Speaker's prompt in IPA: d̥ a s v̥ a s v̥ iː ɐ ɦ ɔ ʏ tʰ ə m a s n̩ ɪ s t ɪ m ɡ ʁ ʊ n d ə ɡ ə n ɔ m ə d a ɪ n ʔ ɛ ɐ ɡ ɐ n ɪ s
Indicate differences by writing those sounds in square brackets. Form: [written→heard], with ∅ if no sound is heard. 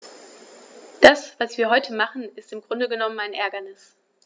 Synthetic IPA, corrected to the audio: d̥ a s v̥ a s v̥ iː ɐ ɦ ɔ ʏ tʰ ə m a [s→χ] n̩ ɪ s t ɪ m ɡ ʁ ʊ n d ə ɡ ə n ɔ m ə [d→n] a ɪ n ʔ ɛ ɐ ɡ ɐ n ɪ s